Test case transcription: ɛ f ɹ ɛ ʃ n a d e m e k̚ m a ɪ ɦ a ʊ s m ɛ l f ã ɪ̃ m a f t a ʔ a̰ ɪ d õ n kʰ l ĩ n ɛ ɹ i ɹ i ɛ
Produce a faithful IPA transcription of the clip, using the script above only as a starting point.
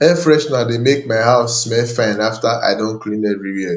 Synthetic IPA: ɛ f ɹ ɛ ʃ n a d e m e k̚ m a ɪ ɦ a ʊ s m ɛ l f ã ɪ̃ n a f t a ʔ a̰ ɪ d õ n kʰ l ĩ n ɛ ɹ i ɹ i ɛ